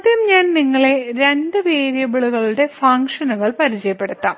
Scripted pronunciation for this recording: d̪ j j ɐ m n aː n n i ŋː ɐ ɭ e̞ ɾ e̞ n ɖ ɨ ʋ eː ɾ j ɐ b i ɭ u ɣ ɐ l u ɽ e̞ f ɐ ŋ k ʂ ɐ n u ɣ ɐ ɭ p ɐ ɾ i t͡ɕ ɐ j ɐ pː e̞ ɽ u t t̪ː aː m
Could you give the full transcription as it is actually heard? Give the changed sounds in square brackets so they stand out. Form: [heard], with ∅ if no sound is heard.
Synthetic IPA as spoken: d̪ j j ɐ m [ɲ] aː n n i ŋː ɐ ɭ e̞ ɾ e̞ n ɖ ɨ ʋ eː ɾ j ɐ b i ɭ u ɣ ɐ [ɭ] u ɽ e̞ f ɐ ŋ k ʂ ɐ n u ɣ ɐ ɭ p ɐ ɾ i t͡ɕ ɐ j ɐ pː e̞ ɽ u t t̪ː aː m